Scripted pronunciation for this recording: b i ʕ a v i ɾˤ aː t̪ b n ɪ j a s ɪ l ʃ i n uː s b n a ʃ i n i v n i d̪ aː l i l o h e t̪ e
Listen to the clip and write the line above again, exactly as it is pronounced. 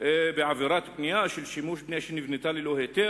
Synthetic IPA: b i ʕ a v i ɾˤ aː t̪ b n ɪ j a ʃ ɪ l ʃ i m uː ʃ b n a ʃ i n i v n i t̪ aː l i l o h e t̪ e